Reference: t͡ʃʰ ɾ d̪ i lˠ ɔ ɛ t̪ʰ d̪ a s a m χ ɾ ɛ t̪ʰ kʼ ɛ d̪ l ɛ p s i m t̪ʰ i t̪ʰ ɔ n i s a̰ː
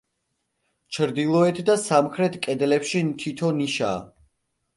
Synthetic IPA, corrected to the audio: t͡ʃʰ ɾ d̪ i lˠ ɔ ɛ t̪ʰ d̪ a s a m χ ɾ ɛ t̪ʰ kʼ ɛ d̪ l ɛ p ʃ i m t̪ʰ i t̪ʰ ɔ n i ʃ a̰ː